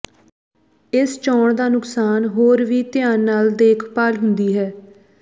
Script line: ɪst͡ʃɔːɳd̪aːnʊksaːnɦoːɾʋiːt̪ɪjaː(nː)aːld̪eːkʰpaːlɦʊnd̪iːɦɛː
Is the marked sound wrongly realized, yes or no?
no